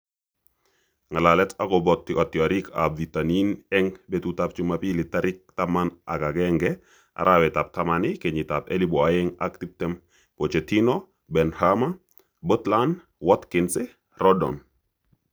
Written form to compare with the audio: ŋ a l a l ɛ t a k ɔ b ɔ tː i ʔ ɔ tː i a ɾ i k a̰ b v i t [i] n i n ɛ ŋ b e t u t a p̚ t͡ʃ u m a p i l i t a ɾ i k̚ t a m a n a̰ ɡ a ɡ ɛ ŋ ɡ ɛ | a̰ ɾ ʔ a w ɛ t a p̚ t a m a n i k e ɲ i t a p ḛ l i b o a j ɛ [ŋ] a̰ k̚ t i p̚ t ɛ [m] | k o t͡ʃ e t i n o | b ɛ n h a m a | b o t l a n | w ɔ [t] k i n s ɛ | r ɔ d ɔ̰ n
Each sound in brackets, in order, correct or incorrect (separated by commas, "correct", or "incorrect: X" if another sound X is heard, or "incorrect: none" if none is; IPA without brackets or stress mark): incorrect: a, correct, correct, correct